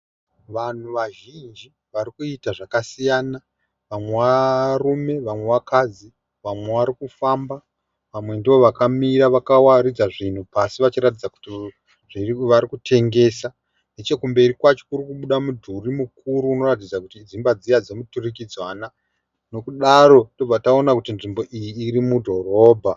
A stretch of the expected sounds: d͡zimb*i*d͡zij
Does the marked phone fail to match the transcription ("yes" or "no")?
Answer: yes